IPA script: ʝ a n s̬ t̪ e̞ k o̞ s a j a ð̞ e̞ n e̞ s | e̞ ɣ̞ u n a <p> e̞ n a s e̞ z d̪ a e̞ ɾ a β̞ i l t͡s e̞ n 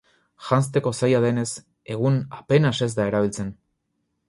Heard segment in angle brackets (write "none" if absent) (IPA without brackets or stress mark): p